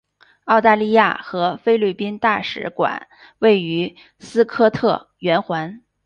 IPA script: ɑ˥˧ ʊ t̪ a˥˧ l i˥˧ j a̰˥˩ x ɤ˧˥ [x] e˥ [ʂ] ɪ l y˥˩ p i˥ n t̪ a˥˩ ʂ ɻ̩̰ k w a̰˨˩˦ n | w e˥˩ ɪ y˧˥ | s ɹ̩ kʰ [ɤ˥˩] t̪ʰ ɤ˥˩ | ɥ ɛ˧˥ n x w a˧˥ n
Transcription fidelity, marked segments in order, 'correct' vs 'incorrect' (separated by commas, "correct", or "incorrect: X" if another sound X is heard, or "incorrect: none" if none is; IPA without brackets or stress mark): incorrect: f, incorrect: none, incorrect: ɤ˥